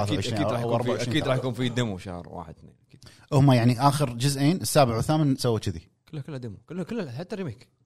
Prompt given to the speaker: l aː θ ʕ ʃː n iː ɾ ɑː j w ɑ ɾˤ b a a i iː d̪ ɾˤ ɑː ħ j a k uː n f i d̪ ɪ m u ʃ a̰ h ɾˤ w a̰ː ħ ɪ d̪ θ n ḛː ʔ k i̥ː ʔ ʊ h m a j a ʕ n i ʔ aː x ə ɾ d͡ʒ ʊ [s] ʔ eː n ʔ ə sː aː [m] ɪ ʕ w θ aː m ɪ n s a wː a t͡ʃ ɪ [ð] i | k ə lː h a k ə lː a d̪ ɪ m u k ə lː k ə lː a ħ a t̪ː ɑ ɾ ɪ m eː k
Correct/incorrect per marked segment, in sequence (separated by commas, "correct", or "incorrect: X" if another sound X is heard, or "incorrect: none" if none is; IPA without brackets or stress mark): incorrect: z, incorrect: b, correct